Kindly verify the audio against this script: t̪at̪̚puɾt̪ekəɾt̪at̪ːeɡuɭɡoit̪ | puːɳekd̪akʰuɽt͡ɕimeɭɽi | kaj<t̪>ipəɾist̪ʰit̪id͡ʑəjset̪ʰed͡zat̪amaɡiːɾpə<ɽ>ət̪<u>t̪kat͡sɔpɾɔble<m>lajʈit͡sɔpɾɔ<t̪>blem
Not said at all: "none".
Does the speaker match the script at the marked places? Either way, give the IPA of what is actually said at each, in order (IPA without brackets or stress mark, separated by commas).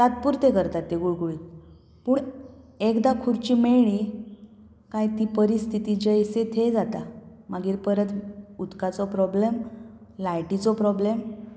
t̪, ɾ, u, m, none